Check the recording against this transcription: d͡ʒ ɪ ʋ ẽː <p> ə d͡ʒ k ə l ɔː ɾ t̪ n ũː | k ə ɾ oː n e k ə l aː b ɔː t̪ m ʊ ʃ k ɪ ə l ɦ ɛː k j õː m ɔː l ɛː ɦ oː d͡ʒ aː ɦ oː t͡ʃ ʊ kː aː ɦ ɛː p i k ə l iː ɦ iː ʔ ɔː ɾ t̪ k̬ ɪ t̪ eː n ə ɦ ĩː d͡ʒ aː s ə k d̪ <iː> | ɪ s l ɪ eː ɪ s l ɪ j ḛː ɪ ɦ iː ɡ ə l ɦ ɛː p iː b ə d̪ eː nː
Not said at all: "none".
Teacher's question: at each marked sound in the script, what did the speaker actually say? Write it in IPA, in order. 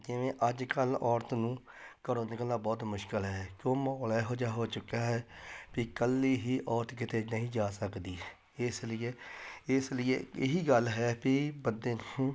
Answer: ʔ, iː

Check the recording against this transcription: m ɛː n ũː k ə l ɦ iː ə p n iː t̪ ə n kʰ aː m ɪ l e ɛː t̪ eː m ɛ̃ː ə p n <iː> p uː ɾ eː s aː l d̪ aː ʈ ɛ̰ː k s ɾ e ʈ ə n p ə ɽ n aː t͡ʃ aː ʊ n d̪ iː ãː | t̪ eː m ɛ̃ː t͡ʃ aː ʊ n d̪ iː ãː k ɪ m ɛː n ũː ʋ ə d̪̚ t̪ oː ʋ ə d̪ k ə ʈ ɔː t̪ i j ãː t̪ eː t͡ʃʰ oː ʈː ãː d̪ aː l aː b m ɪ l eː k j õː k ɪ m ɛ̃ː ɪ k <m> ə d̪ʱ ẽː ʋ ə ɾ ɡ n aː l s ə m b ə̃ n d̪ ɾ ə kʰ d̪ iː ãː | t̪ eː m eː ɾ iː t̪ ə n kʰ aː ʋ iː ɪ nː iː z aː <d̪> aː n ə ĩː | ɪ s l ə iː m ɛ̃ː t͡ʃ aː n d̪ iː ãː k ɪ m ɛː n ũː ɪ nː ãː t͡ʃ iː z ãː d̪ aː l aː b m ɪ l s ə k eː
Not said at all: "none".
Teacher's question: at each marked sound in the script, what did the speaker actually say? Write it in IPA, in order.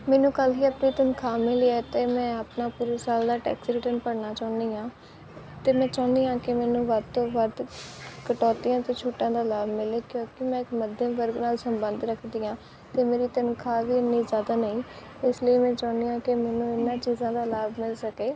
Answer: aː, m, d̪

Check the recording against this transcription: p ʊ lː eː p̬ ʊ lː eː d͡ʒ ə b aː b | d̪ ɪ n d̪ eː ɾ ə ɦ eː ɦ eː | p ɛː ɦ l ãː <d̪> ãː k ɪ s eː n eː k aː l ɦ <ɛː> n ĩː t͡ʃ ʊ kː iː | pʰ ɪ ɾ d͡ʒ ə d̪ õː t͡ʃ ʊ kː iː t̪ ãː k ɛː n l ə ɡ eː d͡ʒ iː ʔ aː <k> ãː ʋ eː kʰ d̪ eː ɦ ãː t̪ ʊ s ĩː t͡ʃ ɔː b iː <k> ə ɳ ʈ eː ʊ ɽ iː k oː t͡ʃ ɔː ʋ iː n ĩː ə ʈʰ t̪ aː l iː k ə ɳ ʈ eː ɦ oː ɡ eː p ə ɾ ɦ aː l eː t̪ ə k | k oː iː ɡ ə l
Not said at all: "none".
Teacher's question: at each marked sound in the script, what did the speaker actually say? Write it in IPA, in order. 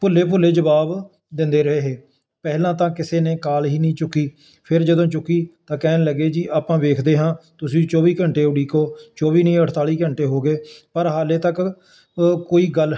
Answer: t̪, iː, p, k

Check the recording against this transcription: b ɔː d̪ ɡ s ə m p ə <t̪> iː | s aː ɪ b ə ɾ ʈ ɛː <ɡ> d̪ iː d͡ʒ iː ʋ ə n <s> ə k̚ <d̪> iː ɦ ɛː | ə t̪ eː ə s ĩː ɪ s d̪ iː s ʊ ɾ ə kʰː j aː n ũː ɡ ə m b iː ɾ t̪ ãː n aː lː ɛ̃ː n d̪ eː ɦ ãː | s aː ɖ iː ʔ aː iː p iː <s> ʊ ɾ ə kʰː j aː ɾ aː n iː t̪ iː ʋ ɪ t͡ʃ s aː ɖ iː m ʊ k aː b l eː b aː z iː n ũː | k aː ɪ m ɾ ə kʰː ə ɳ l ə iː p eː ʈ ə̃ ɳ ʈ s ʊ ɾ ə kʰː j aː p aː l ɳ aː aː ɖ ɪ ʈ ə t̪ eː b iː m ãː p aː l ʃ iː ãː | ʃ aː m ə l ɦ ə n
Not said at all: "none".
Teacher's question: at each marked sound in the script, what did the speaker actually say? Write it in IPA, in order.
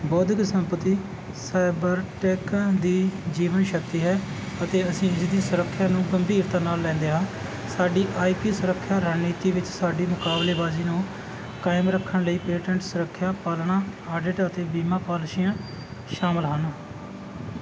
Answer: t̪, k, ʃ, t̪, s

